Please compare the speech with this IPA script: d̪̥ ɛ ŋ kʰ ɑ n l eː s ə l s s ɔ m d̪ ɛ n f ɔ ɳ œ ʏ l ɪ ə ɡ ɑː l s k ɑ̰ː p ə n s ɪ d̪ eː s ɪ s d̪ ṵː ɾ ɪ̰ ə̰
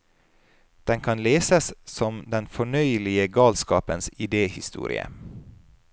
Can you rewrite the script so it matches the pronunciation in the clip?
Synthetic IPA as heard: d̪̥ ɛ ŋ kʰ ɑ n l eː s ə s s ɔ m d̪ ɛ n f ɔ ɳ œ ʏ l ɪ ə ɡ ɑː l s k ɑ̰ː p ə n s ɪ d̪ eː h ɪ s t̪ ṵː ɾ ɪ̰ ə̰